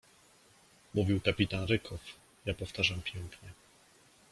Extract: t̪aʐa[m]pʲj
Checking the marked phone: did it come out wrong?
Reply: no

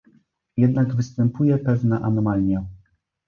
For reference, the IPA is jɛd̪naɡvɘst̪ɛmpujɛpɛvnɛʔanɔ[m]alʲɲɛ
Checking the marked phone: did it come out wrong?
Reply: no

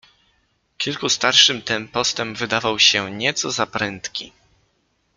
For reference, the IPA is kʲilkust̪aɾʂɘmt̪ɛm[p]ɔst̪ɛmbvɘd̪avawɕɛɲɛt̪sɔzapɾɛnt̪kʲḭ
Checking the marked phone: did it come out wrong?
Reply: no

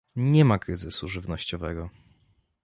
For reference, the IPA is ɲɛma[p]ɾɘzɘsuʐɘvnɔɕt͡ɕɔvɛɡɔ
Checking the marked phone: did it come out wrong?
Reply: yes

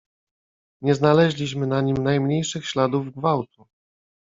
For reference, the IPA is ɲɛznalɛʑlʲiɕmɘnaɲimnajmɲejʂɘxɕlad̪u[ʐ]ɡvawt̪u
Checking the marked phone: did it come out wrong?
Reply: yes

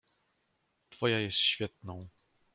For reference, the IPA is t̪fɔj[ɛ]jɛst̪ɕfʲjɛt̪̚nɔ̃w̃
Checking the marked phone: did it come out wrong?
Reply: yes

